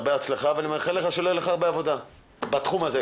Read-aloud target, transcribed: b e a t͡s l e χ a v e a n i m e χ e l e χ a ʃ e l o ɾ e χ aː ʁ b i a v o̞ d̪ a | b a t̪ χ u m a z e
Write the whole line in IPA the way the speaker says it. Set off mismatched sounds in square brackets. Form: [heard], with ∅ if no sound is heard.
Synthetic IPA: b e a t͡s l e χ a v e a n i m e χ e l e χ a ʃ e l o [l] e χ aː ʁ b [e] a v o̞ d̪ a | b a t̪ χ u m a z e